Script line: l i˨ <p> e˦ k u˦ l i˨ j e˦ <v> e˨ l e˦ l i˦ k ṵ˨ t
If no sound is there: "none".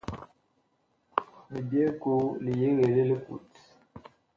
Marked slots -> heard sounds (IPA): b, ɣ

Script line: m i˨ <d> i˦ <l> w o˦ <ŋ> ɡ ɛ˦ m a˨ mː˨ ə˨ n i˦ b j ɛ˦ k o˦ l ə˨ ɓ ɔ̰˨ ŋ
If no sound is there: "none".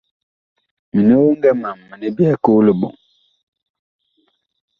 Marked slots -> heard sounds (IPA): n, none, ŋ

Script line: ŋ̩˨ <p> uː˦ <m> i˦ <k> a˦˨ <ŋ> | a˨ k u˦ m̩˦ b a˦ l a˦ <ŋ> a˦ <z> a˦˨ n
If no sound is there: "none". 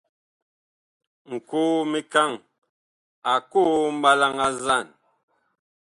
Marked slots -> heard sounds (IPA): k, m, k, ŋ, ŋ, z

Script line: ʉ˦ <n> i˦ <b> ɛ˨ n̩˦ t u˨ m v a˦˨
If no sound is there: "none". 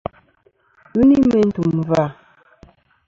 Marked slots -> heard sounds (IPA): n, m

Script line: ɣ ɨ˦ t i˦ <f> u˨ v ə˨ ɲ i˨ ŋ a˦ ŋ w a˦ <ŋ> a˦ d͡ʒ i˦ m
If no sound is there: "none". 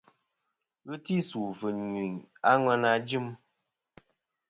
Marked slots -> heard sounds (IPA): s, n

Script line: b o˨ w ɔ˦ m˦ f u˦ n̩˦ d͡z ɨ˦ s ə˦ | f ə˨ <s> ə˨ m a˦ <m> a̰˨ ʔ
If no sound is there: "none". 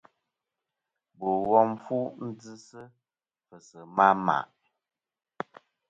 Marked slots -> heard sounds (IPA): s, m

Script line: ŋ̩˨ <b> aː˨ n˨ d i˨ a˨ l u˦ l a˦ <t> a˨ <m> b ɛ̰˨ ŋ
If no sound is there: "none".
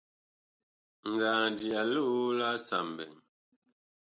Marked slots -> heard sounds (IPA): ɡ, s, m

